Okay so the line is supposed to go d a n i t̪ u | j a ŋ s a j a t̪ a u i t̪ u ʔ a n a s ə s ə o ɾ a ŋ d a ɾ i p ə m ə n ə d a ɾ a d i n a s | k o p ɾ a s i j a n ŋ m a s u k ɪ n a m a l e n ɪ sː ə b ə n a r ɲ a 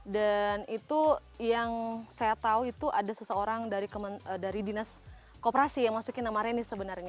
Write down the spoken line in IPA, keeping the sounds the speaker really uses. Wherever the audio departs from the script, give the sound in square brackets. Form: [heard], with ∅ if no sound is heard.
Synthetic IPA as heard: d a n i t̪ u | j a ŋ s a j a t̪ a u i t̪ u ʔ a [d] a s ə s ə o ɾ a ŋ d a ɾ i [k] ə m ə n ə d a ɾ [i] d i n a s | k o p ɾ a s i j a [∅] ŋ m a s u k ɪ n a m a [ɾ] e n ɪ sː ə b ə n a r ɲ a